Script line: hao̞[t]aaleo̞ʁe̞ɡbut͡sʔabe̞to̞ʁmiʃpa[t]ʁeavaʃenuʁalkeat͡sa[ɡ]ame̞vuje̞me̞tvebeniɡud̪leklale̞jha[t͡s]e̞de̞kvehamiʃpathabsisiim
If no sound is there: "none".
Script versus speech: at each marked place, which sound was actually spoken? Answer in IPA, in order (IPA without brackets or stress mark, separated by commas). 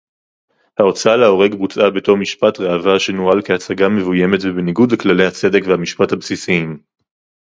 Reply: t͡s, t, ɡ, t͡s